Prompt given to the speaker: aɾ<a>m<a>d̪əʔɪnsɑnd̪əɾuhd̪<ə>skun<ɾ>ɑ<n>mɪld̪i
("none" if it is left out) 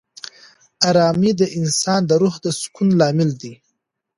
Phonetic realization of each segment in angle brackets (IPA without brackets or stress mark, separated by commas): ɑ, i, ə, l, none